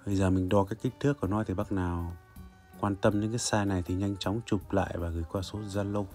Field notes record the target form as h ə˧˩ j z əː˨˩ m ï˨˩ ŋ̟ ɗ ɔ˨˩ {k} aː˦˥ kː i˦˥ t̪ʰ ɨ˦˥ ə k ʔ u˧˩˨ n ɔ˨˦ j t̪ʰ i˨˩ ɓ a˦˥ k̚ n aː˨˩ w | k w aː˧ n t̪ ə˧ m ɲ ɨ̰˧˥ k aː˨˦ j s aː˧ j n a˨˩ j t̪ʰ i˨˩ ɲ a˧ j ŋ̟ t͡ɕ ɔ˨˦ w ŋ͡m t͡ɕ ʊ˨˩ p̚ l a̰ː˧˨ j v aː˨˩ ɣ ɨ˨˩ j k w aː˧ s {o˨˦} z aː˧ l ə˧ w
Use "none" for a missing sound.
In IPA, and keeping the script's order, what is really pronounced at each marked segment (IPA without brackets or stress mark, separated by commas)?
k, o˨˦